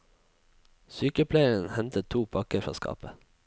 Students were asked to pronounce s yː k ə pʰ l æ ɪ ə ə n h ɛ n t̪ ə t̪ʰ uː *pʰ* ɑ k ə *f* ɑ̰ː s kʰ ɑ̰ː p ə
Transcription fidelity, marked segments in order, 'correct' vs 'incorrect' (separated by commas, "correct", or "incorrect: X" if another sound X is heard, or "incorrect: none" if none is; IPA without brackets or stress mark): correct, correct